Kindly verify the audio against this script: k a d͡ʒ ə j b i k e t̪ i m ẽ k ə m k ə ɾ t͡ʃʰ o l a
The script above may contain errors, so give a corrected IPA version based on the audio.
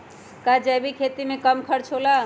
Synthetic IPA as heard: k a d͡ʒ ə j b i kʰ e t̪ i m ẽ k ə m kʰ ə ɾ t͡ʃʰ o l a